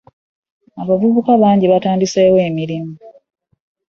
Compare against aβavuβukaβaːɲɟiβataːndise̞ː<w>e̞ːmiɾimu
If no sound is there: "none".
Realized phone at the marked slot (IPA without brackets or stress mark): w